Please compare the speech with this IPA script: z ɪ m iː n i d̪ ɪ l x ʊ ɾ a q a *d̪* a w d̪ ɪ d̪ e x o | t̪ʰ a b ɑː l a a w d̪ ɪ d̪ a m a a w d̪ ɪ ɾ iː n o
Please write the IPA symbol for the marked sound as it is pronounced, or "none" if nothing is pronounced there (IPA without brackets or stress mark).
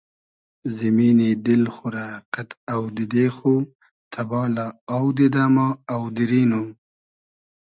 t̪